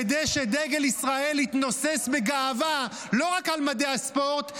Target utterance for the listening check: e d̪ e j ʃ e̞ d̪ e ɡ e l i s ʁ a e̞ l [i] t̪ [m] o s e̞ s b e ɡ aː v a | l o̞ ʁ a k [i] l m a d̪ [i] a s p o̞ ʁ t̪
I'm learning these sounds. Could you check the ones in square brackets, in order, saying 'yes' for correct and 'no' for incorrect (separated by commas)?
yes, no, no, no